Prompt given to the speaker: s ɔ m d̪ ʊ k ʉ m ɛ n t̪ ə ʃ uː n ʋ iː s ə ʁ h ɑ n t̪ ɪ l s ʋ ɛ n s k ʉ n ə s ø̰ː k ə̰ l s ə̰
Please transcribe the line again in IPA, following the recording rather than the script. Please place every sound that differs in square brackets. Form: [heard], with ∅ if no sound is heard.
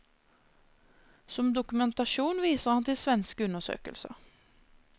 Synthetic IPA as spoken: s ɔ m d̪ ʊ k ʉ m ɛ n t̪ [ɑ] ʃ uː n ʋ iː s ə ʁ h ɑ n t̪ ɪ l s ʋ ɛ n s k ʉ n ə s ø̰ː k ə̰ l s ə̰